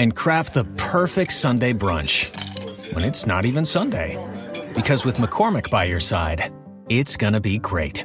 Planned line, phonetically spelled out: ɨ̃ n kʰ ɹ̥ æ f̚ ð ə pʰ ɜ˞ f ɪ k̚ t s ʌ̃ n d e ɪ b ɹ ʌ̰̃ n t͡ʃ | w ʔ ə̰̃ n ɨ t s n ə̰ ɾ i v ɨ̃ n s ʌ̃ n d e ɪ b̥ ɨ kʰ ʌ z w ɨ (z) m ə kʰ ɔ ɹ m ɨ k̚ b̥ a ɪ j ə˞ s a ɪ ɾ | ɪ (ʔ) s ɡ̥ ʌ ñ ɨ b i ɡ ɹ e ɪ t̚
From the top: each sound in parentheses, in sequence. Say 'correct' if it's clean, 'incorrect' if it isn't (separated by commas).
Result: incorrect, incorrect